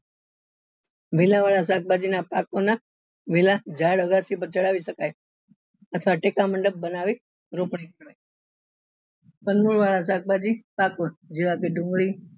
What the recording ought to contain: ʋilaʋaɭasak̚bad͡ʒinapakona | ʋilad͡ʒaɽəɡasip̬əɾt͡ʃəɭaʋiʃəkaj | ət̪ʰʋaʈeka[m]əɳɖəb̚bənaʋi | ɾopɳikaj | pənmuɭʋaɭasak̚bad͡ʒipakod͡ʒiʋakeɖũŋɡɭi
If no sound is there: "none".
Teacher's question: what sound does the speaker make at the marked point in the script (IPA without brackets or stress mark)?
m